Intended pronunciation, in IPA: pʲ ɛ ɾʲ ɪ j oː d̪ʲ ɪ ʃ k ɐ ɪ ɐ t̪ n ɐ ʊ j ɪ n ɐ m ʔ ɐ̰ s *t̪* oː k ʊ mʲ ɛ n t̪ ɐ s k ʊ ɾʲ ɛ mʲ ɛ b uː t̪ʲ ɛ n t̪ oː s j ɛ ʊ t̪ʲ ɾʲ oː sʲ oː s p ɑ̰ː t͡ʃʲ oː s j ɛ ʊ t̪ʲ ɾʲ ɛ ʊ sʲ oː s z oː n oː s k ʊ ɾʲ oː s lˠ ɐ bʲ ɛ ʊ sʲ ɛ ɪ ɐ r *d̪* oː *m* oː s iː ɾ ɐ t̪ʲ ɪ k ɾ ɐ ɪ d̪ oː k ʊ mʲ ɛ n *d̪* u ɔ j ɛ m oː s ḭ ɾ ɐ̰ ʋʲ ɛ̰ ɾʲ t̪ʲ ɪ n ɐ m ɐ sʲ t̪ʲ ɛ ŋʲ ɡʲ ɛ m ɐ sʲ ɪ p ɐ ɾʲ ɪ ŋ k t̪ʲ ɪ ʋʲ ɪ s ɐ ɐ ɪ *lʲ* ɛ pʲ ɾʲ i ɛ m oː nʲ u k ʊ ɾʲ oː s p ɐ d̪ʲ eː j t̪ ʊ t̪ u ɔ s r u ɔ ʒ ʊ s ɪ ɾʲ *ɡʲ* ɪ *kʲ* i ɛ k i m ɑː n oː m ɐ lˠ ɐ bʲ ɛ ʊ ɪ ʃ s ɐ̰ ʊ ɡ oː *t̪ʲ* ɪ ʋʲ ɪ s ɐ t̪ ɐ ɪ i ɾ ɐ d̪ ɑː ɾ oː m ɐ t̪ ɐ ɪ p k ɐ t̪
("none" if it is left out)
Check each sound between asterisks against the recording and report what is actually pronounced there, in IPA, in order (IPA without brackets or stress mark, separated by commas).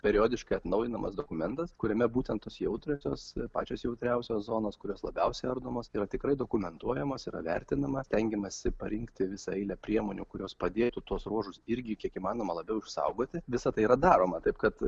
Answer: d̪, d̪, m, t̪, lʲ, ɡʲ, kʲ, t̪ʲ